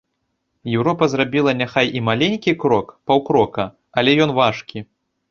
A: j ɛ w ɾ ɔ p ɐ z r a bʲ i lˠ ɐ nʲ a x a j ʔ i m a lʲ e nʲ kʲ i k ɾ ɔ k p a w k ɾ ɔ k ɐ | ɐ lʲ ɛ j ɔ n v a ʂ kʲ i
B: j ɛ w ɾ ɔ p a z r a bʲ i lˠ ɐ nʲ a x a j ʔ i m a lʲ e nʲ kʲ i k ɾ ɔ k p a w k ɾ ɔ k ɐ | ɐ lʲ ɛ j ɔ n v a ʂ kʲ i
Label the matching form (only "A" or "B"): A